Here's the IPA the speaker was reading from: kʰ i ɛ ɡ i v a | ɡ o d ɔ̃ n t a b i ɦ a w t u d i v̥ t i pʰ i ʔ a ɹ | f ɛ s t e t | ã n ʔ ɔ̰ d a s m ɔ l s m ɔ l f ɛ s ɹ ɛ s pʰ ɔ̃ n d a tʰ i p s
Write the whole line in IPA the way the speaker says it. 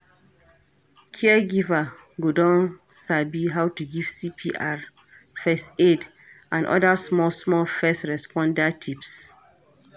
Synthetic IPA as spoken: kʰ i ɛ ɡ i v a | ɡ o d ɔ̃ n s a b i ɦ a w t u ɡ i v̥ s i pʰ i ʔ a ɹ | f ɛ s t e d | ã n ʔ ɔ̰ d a s m ɔ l s m ɔ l f ɛ s ɹ ɛ s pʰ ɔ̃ n d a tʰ i p s